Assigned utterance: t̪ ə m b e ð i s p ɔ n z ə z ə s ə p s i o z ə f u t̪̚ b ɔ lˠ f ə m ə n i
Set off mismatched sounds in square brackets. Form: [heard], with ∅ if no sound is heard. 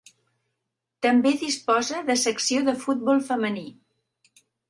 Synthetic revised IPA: t̪ ə m b e ð i s p ɔ [∅] z ə [ð] ə s ə [k] s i o [ð] ə f u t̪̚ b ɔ lˠ f ə m ə n i